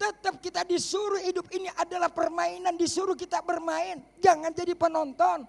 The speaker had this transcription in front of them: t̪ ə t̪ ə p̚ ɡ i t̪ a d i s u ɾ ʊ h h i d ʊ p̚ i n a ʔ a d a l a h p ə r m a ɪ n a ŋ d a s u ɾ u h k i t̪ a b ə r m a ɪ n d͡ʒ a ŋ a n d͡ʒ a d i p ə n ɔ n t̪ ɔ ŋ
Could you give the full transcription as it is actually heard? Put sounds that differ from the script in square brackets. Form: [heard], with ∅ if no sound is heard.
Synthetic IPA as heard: t̪ ə t̪ ə p̚ [k] i t̪ a d i s u ɾ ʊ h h i d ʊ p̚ i n [i] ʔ a d a l a h p ə r m a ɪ n a [n] d [i] s u ɾ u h k i t̪ a b ə r m a ɪ n d͡ʒ a ŋ a n d͡ʒ a d i p ə n ɔ n t̪ ɔ [n]

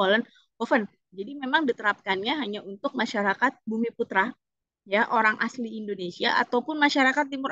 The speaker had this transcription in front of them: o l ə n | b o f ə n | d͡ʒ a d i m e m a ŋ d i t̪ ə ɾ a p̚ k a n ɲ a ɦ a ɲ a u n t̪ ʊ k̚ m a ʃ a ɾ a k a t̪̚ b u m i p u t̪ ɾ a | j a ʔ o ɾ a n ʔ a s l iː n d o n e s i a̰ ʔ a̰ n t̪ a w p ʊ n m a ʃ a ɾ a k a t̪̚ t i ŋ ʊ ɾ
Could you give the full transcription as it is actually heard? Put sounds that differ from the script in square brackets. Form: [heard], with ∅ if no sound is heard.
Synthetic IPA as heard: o l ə n | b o f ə n | d͡ʒ a d i m e m a ŋ d i t̪ ə ɾ a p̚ k a n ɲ a ɦ a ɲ a u n t̪ ʊ k̚ m a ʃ a ɾ a k a t̪̚ b u m i p u t̪ ɾ a | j a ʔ o ɾ a [ŋ] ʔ a s l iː n d o n e s i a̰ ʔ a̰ [∅] t̪ a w p ʊ n m a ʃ a ɾ a k a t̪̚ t i [m] ʊ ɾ

